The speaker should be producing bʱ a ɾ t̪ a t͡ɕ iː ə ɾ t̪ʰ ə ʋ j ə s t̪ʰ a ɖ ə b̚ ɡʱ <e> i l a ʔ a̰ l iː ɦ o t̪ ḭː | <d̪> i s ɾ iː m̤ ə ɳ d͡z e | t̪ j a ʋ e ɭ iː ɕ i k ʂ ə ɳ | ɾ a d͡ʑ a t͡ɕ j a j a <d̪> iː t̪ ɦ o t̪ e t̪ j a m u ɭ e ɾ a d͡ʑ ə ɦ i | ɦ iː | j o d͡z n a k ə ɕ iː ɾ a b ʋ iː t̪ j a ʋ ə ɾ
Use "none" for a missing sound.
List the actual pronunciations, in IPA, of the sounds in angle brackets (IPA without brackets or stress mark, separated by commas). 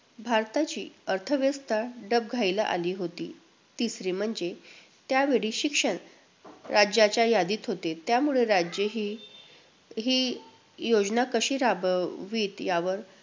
a, t̪, d̪